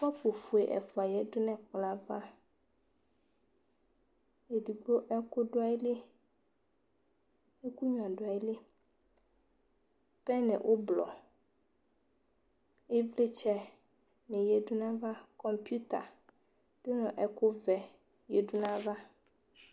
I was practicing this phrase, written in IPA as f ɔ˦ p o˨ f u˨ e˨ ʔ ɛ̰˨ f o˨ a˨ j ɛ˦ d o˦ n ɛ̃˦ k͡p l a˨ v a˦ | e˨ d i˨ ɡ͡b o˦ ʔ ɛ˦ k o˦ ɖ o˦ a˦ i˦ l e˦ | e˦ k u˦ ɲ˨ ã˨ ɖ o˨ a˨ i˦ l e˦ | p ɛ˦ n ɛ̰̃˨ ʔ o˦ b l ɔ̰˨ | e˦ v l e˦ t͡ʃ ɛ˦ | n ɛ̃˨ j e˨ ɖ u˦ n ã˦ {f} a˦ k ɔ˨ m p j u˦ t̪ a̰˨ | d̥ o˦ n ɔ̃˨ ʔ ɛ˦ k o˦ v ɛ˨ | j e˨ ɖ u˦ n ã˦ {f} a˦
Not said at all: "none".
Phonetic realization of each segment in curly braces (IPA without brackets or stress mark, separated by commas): v, v